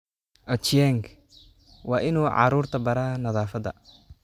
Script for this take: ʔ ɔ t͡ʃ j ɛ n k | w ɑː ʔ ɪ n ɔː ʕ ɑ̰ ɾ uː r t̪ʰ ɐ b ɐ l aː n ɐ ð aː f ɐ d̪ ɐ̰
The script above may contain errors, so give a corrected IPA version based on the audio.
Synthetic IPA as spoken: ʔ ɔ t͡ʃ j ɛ ŋ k | w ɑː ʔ ɪ n uː ʕ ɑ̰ ɾ uː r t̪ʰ ɐ b ɐ ɾ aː n ɐ ð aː f ɐ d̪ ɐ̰